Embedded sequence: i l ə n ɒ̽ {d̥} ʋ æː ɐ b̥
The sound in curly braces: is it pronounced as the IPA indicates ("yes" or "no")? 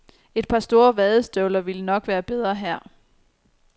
no